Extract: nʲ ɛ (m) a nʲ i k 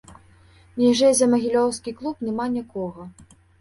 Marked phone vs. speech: correct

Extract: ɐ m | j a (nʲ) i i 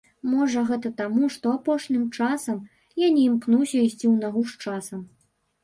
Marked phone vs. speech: correct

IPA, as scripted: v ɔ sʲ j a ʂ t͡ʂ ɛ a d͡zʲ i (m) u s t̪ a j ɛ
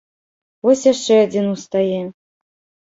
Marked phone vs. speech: incorrect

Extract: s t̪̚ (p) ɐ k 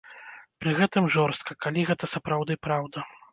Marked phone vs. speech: incorrect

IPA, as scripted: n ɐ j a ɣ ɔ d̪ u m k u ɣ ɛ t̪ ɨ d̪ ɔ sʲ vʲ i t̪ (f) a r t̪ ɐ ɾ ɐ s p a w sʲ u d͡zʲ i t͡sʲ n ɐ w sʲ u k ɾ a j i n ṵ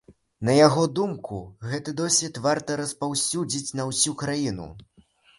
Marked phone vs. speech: incorrect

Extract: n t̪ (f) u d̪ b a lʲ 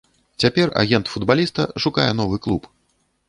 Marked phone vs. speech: correct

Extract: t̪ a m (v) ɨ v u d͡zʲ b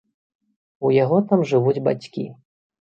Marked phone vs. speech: incorrect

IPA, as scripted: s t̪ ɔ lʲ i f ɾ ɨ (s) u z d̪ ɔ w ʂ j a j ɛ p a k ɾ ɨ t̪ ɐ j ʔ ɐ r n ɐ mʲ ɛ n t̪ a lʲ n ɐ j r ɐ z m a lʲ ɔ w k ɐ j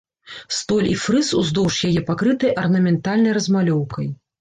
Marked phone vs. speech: correct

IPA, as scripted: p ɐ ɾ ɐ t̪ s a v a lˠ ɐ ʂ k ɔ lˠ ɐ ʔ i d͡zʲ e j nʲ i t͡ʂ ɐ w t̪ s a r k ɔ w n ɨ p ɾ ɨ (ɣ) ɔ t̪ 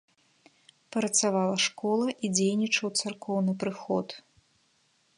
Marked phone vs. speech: incorrect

